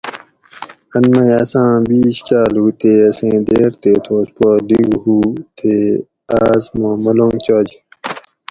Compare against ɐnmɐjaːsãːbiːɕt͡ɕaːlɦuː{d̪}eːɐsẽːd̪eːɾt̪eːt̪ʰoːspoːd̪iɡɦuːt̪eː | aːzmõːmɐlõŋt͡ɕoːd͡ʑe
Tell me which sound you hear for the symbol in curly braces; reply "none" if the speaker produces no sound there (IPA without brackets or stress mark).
t̪